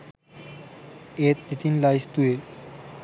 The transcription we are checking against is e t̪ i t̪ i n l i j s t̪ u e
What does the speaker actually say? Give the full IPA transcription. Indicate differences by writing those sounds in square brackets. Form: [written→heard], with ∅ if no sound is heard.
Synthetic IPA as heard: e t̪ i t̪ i n l [i→a] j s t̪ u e